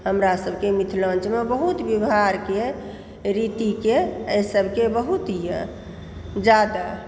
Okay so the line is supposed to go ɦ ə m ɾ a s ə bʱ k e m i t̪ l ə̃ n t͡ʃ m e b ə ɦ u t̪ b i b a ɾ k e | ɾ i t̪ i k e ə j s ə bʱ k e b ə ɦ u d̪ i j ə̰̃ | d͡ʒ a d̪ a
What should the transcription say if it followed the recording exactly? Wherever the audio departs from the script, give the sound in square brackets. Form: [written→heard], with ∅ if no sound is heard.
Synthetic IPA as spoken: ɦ ə m ɾ a s ə bʱ k e m i [t̪→t̪ʰ] l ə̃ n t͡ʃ m e b ə ɦ u t̪ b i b a ɾ k e | ɾ i t̪ i k e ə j s ə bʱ k e b ə ɦ u [d̪→t̪] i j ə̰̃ | d͡ʒ a d̪ a